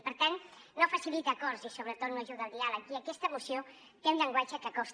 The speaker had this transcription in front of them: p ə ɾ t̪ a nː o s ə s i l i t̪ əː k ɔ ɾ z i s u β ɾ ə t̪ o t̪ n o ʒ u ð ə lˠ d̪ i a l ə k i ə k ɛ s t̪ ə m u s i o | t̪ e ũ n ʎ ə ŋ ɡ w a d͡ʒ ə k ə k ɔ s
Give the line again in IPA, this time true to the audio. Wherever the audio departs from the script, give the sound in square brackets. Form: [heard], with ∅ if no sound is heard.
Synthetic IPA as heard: p ə ɾ t̪ a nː o [f] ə s i l i t̪ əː k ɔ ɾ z i s [o] β ɾ ə t̪ o t̪ n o ʒ u ð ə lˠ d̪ i a l ə k i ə k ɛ s t̪ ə m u s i o | t̪ e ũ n ʎ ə ŋ ɡ w a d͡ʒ ə k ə k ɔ s